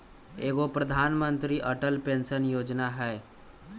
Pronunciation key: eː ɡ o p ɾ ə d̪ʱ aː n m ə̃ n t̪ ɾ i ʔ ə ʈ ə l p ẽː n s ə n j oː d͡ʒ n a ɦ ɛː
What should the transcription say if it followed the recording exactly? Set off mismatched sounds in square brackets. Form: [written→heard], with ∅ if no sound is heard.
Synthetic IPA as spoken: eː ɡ o p ɾ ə d̪ʱ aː n m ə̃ n t̪ ɾ i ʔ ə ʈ ə l p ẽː n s ə n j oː d͡ʒ n a ɦ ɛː